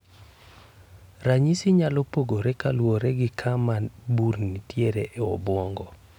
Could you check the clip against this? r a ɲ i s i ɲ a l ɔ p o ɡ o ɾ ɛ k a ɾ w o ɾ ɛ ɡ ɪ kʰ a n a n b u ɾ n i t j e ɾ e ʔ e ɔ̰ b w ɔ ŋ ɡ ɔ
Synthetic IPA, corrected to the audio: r a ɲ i s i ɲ a l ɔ p o ɡ o ɾ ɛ k a l w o ɾ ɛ ɡ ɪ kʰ a m a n b u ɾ n i t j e ɾ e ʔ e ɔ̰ b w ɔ ŋ ɡ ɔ